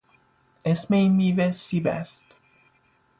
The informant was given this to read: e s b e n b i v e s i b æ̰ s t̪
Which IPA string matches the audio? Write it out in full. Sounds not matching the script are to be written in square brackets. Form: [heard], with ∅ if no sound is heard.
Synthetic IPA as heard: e s [m] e n [m] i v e s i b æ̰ s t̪